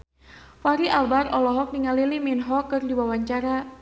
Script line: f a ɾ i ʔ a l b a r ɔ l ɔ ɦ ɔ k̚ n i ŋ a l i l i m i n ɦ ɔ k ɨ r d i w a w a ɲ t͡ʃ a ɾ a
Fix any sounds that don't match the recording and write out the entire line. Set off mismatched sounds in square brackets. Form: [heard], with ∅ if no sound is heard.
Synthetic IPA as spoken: f a ɾ i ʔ a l b a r ɔ l ɔ ɦ ɔ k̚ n i ŋ a l i l i m i n ɦ ɔ k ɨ r d i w a w a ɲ t͡ʃ a ɾ a